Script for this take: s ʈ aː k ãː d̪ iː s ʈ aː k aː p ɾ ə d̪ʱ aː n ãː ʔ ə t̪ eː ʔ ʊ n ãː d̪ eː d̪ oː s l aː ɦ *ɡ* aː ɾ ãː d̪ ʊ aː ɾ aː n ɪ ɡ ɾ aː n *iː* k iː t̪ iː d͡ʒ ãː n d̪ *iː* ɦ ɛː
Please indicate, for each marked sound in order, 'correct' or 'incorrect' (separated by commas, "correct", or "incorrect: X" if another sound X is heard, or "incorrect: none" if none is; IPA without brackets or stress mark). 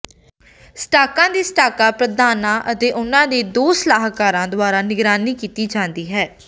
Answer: incorrect: k, correct, correct